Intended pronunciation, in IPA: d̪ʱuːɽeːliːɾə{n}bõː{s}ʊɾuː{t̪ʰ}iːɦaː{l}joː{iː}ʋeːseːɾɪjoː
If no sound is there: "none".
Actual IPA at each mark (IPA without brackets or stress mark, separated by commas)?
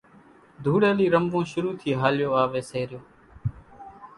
m, ʃ, t̪ʰ, l, aː